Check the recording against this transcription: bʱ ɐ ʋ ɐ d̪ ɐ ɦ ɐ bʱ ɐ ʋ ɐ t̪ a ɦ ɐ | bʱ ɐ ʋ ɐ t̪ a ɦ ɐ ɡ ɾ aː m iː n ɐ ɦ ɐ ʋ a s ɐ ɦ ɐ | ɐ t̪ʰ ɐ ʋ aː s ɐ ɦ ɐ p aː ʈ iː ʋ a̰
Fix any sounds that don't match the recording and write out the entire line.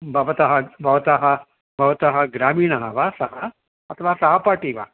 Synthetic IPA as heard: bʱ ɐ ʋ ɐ t̪ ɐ ɦ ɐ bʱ ɐ ʋ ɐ t̪ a ɦ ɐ | bʱ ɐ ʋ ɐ t̪ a ɦ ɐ ɡ ɾ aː m iː n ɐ ɦ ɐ ʋ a s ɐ ɦ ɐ | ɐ t̪ʰ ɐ ʋ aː s ɐ ɦ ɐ p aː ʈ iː ʋ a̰